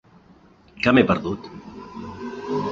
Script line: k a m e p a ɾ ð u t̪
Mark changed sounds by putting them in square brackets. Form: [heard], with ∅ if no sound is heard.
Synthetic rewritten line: k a m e p [ə] ɾ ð u t̪